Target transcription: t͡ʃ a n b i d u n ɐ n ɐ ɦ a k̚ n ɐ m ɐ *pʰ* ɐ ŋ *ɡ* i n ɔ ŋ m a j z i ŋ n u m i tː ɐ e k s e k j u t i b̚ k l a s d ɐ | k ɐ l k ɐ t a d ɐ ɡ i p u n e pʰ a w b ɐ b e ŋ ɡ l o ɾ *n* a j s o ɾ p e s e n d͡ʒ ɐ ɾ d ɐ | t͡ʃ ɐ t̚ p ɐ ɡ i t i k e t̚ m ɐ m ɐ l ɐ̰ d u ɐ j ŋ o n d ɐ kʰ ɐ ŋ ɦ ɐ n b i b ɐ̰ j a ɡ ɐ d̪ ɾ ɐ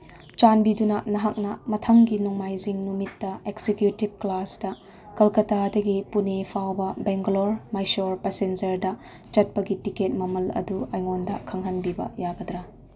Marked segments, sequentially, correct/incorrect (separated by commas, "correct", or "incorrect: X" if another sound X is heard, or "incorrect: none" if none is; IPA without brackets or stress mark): incorrect: tʰ, correct, incorrect: m